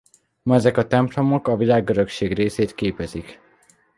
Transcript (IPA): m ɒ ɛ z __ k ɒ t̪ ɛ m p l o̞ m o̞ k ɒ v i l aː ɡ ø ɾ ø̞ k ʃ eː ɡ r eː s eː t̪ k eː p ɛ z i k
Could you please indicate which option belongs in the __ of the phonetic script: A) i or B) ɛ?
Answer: B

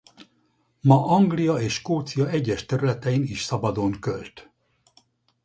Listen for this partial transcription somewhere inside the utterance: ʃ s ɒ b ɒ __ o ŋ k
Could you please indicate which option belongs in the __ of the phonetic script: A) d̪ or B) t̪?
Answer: A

